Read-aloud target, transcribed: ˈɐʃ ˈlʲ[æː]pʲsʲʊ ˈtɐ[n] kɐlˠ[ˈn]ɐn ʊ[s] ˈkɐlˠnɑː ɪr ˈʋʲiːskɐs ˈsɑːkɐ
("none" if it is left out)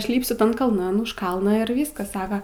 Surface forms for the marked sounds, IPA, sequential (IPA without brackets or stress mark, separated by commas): iː, n, n, ʃ